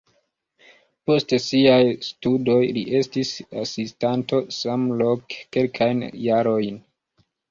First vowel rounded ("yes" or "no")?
yes